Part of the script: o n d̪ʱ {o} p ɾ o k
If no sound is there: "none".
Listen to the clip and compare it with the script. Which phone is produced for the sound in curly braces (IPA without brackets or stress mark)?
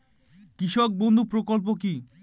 u